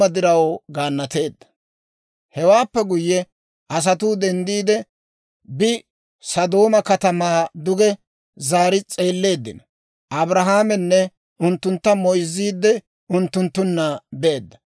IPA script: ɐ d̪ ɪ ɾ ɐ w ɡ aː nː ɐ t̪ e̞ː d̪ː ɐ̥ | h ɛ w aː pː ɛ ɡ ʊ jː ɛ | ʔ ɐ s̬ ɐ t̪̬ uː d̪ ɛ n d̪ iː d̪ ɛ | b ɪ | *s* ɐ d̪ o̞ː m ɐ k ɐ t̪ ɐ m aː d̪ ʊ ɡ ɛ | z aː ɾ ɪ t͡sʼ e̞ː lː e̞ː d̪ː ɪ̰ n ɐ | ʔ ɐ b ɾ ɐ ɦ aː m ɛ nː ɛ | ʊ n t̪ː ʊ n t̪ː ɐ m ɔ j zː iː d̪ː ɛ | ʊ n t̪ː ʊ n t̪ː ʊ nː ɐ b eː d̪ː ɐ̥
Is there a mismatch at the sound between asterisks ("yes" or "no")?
no